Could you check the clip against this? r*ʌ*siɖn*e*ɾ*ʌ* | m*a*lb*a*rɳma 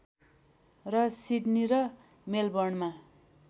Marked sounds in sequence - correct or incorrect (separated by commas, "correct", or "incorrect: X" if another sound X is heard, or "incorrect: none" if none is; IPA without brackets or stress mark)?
correct, incorrect: i, correct, incorrect: e, incorrect: ʌ